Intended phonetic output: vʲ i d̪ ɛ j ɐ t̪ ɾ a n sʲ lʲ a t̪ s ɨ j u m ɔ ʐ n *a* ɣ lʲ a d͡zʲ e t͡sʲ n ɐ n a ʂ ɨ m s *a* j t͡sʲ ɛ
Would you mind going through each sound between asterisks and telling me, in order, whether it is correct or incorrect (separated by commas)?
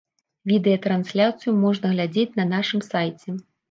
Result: incorrect, correct